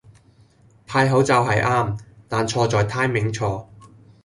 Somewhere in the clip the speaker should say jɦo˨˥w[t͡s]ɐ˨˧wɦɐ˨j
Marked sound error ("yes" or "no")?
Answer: no